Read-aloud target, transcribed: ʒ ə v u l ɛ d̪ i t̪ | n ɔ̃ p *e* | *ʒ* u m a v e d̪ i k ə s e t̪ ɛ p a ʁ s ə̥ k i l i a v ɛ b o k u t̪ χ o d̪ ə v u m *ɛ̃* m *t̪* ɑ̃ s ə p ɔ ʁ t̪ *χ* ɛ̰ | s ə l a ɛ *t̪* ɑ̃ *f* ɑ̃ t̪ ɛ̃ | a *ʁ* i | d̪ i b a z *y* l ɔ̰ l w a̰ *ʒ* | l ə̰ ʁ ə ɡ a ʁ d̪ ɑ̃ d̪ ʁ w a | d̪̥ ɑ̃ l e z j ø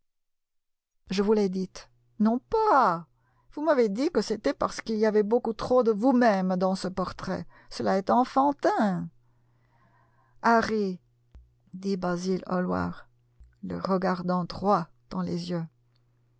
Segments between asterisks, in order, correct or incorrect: incorrect: a, incorrect: v, incorrect: ɛ, incorrect: d̪, correct, correct, correct, correct, incorrect: i, incorrect: ʁ

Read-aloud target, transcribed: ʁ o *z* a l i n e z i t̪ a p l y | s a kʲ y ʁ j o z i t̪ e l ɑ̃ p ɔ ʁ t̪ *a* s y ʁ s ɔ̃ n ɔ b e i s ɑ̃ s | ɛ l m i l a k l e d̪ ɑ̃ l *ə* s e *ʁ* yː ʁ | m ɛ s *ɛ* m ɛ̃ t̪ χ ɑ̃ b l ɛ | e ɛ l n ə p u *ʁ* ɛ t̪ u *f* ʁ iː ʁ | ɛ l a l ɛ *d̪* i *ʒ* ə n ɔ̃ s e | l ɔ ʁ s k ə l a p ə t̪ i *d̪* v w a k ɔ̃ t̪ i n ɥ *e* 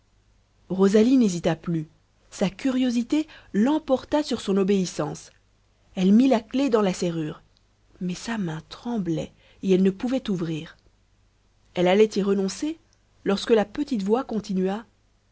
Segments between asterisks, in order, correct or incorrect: correct, correct, incorrect: a, correct, incorrect: a, incorrect: v, incorrect: v, incorrect: t̪, incorrect: ʁ, incorrect: t̪, incorrect: a

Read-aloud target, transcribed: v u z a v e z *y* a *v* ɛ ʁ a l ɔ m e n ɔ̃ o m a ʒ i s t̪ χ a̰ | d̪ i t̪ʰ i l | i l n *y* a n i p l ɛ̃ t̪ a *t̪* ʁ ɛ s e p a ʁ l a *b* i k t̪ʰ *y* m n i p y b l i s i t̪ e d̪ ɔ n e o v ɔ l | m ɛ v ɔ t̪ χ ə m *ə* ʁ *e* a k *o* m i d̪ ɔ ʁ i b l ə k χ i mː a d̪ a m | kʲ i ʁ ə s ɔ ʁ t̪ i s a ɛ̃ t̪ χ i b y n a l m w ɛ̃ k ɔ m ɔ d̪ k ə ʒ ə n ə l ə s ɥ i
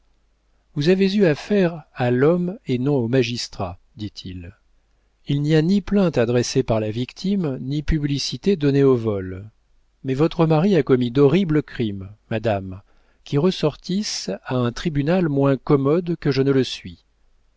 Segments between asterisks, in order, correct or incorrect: correct, incorrect: f, incorrect: i, incorrect: d̪, incorrect: v, incorrect: i, incorrect: a, incorrect: i, incorrect: ɔ

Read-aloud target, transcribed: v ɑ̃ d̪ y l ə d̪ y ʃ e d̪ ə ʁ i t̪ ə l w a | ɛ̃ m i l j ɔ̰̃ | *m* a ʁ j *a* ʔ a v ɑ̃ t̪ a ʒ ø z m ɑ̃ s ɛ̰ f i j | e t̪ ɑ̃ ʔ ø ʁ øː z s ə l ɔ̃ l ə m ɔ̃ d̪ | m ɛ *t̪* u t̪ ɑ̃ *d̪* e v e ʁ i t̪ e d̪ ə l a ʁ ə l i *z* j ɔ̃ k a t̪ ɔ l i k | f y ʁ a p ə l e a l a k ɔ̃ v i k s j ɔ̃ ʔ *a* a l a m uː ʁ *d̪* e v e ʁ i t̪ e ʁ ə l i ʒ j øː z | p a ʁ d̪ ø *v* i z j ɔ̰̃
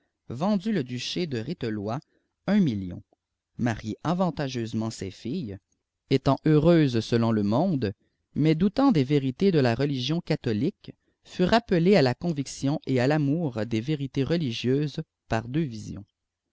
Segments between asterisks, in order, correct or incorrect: correct, incorrect: e, incorrect: d̪, correct, incorrect: ʒ, incorrect: e, correct, correct

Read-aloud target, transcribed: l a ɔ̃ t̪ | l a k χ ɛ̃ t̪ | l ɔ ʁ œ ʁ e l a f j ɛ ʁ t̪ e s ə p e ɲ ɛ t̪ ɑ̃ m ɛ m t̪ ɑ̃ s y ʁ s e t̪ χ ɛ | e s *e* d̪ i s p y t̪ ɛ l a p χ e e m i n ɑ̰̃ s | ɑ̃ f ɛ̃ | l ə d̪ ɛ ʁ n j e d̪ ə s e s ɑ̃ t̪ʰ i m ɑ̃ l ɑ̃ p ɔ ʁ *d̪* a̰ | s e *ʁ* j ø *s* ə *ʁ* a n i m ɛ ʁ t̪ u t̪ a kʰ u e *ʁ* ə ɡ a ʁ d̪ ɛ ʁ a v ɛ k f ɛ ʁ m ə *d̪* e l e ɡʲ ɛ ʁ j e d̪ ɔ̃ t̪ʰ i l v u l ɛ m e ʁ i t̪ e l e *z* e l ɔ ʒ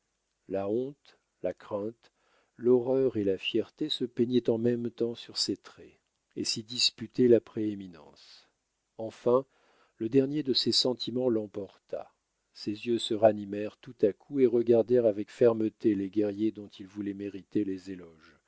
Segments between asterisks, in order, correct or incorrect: incorrect: i, incorrect: t̪, incorrect: z, correct, correct, correct, incorrect: t̪, correct

